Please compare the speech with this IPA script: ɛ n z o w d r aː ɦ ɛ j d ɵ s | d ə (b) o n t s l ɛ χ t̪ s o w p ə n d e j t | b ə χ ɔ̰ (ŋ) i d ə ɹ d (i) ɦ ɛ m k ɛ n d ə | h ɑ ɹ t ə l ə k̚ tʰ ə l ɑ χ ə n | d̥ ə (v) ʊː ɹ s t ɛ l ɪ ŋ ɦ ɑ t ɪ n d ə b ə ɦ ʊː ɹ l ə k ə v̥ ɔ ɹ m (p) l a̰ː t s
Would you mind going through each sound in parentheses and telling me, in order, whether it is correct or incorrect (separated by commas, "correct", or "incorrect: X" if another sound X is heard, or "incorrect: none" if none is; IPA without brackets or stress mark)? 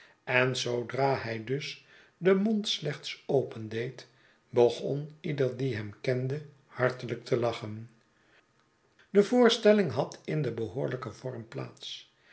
incorrect: m, incorrect: n, correct, correct, correct